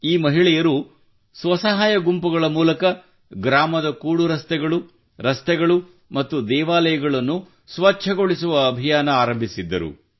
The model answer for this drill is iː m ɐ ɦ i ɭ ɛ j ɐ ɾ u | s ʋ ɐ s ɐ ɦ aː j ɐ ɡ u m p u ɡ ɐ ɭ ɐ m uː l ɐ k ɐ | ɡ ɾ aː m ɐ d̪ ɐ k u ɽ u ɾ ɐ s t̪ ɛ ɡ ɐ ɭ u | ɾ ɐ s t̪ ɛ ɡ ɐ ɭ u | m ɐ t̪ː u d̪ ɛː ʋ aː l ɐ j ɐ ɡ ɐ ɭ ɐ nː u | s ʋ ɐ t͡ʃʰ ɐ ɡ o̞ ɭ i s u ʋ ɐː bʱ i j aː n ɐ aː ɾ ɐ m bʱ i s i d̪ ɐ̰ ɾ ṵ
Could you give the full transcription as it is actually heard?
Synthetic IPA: iː m ɐ ɦ i ɭ ɛ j ɐ ɾ u | s ʋ ɐ s ɐ ɦ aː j ɐ ɡ u m p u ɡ ɐ ɭ ɐ m uː l ɐ k ɐ | ɡ ɾ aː m ɐ d̪ ɐ k uː ɽ u ɾ ɐ s t̪ ɛ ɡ ɐ ɭ u | ɾ ɐ s t̪ ɛ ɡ ɐ ɭ u | m ɐ t̪ː u d̪ ɛː ʋ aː l ɐ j ɐ ɡ ɐ ɭ ɐ nː u | s ʋ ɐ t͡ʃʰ ɐ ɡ o̞ ɭ i s u ʋ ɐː bʱ i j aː n ɐ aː ɾ ɐ m bʱ i s i d̪ː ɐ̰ ɾ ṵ